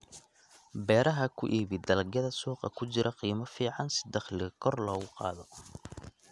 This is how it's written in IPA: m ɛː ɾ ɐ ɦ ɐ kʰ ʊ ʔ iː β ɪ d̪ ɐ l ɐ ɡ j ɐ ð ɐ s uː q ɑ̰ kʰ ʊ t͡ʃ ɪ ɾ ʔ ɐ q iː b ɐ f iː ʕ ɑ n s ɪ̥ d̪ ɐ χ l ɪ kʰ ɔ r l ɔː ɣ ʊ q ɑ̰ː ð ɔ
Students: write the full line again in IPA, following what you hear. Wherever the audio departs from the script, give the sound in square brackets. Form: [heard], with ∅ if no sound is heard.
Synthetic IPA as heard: [b] ɛː ɾ ɐ ɦ ɐ kʰ ʊ ʔ iː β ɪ d̪ ɐ l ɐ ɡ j ɐ ð ɐ s uː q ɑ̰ kʰ ʊ t͡ʃ ɪ ɾ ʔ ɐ q iː [m] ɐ f iː ʕ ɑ n s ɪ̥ d̪ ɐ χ l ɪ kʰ ɔ r l ɔː ɣ ʊ q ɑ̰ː ð ɔ